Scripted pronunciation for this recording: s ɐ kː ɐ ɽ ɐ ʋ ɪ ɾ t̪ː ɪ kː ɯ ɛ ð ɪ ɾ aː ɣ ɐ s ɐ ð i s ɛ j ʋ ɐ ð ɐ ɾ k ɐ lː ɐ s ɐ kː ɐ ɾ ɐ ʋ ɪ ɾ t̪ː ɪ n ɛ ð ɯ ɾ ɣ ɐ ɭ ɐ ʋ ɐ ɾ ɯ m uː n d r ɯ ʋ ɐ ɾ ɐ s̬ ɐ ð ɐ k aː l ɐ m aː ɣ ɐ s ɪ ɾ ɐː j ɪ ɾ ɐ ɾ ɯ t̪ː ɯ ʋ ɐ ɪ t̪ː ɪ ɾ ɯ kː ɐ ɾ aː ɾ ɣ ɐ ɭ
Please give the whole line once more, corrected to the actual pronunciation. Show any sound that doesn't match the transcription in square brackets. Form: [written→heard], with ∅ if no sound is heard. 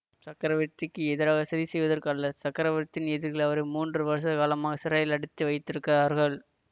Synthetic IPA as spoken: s ɐ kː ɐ [ɽ→ɾ] ɐ ʋ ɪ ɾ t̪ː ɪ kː ɯ ɛ ð ɪ ɾ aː ɣ ɐ s ɐ ð i s ɛ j ʋ ɐ ð ɐ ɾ k ɐ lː ɐ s ɐ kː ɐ ɾ ɐ ʋ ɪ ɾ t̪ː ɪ n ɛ ð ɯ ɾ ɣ ɐ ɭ ɐ ʋ ɐ ɾ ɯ m uː n d r ɯ ʋ ɐ ɾ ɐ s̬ ɐ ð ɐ k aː l ɐ m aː ɣ ɐ s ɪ ɾ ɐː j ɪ [ɾ→l] ɐ [ɾ→ɽ] ɯ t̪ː ɯ ʋ ɐ ɪ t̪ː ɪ ɾ ɯ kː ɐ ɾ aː ɾ ɣ ɐ ɭ